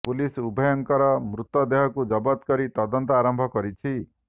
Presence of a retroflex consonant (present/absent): absent